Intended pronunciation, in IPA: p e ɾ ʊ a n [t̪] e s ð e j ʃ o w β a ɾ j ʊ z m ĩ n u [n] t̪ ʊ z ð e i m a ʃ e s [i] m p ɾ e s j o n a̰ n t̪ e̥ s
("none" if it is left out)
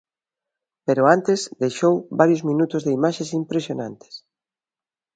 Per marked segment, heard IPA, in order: t̪, none, i

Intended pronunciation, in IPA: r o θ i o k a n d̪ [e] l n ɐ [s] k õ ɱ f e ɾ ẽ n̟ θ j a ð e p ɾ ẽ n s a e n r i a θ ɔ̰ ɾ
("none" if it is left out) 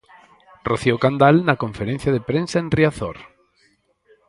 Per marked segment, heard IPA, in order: a, none

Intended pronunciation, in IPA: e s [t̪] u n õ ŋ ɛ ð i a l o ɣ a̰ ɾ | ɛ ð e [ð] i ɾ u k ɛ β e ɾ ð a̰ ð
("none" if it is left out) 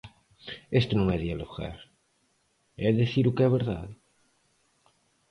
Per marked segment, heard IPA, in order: t̪, θ

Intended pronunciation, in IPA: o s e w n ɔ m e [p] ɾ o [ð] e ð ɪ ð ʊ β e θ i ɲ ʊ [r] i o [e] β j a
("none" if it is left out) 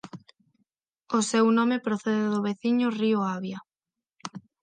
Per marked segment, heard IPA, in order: p, θ, r, a

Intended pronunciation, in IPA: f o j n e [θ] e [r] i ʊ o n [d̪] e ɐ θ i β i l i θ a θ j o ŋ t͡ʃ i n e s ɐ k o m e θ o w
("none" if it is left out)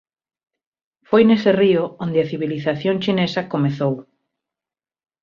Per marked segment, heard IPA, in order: s, r, d̪

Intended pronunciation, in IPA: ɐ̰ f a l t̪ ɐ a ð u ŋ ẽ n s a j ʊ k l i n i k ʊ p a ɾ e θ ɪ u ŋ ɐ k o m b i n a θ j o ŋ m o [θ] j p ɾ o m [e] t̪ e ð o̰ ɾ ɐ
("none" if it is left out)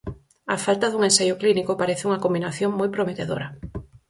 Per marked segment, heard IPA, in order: none, e

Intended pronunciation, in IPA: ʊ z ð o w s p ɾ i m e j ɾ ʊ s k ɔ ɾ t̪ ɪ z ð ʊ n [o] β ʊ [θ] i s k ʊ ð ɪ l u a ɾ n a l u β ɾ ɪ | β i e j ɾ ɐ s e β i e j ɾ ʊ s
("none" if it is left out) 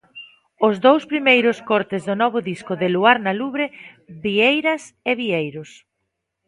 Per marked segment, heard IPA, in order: ɔ, ð

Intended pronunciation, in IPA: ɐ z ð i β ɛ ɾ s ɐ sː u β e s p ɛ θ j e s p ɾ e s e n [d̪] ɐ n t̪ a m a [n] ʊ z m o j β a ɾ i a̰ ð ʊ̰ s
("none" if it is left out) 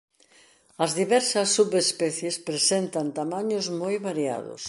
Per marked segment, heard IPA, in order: t̪, ɲ

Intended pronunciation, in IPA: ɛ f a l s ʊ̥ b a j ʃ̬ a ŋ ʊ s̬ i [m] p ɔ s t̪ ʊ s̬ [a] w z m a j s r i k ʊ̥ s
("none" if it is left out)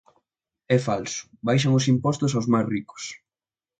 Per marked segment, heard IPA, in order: m, a

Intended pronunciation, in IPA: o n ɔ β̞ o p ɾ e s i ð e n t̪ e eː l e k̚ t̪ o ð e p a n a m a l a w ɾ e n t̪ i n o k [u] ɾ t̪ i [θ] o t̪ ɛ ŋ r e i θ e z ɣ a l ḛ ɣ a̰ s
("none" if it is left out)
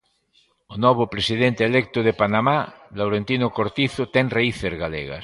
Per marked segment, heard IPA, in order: o, θ

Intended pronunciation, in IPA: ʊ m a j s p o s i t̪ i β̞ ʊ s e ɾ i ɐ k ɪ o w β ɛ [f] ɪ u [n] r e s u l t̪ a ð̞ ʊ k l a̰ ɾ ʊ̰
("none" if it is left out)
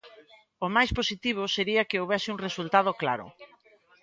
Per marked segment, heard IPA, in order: s, ŋ

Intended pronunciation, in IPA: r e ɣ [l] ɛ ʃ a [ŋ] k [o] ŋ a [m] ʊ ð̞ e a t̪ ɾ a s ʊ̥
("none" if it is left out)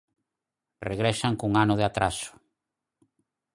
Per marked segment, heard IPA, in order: ɾ, ŋ, u, n

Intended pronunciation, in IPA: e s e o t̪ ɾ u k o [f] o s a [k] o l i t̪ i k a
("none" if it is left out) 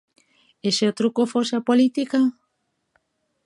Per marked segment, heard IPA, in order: f, p

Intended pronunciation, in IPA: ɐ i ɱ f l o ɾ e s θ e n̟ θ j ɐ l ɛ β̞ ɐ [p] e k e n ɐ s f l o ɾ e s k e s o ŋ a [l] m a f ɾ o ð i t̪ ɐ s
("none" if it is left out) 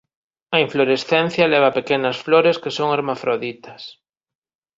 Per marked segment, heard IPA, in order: p, ɾ

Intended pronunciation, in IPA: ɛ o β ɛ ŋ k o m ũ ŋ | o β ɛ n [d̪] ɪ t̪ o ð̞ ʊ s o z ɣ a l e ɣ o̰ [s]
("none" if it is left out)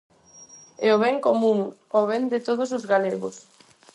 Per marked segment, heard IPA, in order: d̪, s

